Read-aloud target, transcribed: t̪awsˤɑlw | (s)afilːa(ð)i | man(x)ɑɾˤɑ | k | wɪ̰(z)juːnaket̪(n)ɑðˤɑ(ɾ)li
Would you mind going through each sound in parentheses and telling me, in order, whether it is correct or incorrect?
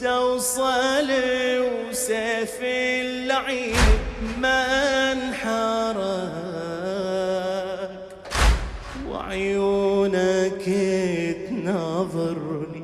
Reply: correct, incorrect: ʕ, incorrect: ħ, incorrect: ʕ, correct, correct

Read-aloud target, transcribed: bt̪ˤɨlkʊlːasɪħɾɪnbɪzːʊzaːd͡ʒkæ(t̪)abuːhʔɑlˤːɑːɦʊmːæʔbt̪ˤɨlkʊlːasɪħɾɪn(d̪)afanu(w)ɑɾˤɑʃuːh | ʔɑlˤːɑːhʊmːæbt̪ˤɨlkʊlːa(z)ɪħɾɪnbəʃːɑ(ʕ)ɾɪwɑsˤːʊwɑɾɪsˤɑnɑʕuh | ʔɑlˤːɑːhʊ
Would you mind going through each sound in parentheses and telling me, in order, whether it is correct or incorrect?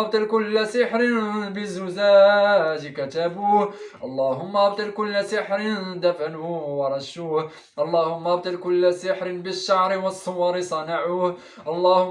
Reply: correct, correct, correct, incorrect: s, correct

